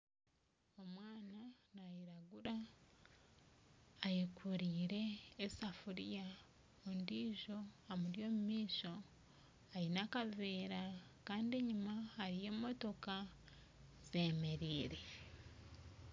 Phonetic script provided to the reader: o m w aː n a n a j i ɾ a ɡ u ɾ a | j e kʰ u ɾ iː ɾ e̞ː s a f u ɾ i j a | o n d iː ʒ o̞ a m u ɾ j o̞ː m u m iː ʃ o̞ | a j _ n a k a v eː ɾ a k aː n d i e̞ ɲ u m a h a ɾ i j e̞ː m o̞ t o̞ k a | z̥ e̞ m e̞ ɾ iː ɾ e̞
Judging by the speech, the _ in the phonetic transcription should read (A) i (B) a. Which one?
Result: A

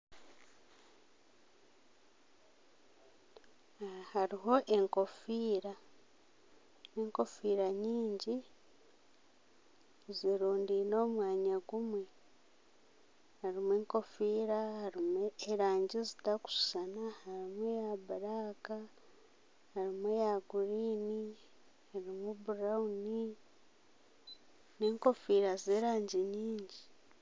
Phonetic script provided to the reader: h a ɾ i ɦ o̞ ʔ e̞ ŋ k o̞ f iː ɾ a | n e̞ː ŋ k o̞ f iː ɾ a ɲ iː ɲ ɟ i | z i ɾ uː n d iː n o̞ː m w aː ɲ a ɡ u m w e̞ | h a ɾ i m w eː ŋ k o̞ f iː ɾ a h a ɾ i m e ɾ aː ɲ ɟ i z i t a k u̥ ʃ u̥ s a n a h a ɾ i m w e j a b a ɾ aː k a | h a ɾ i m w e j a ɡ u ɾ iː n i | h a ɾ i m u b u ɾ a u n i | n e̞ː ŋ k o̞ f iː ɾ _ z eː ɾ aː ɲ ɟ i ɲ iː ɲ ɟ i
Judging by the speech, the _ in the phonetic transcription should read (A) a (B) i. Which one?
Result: A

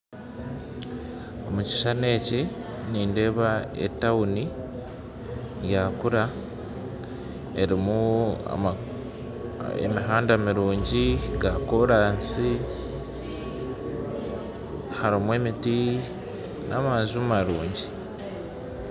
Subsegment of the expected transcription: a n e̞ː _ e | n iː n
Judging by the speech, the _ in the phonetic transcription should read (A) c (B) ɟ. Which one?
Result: A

